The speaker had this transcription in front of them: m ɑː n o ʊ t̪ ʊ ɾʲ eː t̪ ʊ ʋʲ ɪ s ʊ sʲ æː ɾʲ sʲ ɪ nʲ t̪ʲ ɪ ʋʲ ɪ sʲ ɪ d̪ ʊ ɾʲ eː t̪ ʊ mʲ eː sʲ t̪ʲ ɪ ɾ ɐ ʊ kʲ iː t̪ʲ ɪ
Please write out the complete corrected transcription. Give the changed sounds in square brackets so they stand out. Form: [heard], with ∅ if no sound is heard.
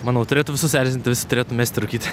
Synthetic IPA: m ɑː n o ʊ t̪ ʊ ɾʲ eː t̪ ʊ ʋʲ ɪ s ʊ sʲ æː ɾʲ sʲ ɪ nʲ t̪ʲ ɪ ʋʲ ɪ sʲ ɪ [t̪] ʊ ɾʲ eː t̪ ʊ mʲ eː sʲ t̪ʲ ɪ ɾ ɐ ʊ kʲ iː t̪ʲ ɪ